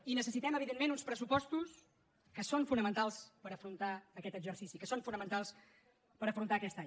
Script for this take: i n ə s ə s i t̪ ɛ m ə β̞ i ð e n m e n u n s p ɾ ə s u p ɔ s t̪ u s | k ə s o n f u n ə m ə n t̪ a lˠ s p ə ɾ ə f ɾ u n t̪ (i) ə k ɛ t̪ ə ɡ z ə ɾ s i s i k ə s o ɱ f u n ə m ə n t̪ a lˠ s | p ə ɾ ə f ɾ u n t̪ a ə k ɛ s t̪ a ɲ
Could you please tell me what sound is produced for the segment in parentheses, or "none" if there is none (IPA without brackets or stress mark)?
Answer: a